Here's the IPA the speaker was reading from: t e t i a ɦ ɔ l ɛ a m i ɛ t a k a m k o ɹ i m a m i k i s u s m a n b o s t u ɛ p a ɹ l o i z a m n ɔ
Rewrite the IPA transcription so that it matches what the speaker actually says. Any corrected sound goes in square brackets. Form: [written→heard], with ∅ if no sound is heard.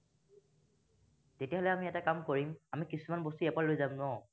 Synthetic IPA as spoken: t e t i a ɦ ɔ l ɛ a m i ɛ t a k a m k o ɹ i m a m i k i s u [s→∅] m a n b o s t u ɛ p a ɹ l o [i→j] z a m n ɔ